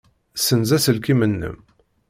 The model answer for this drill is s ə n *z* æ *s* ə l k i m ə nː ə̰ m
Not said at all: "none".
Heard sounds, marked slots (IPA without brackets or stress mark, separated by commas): z, s